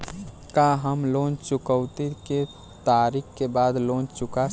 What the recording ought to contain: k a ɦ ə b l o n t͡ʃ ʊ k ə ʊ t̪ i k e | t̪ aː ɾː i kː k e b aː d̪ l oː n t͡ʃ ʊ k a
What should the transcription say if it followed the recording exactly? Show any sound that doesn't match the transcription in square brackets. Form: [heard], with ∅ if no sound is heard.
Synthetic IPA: k a ɦ ə [m] l o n t͡ʃ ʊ k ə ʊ t̪ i k e | t̪ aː [ɾ] i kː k e b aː d̪ l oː n t͡ʃ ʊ k a